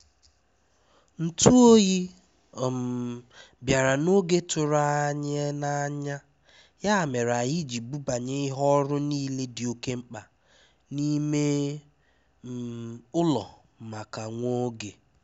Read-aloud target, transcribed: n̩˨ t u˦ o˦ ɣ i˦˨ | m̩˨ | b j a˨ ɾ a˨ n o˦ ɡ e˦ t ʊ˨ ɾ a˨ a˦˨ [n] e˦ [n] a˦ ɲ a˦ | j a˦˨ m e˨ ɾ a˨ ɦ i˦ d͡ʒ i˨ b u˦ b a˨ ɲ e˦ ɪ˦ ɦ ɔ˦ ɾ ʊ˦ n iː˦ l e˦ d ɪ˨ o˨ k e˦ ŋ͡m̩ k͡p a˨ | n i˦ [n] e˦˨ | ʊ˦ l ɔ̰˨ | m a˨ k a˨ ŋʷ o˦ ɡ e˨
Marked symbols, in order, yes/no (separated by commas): no, yes, no